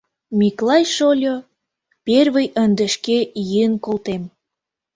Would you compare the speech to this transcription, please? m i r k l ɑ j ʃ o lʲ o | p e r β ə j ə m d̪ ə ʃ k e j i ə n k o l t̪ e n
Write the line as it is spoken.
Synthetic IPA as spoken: m i k l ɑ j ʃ o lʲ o | p e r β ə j ə n d̪ ə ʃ k e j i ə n k o l t̪ e m